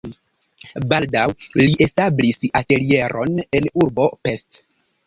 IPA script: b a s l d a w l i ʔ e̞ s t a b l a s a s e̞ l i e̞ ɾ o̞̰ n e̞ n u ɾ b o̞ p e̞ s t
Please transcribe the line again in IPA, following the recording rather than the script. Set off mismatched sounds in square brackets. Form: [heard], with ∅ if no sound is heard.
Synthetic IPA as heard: b a [∅] l d a w l i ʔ e̞ s t a b l [i] s a [t] e̞ l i e̞ ɾ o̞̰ n e̞ n u ɾ b o̞ p e̞ s t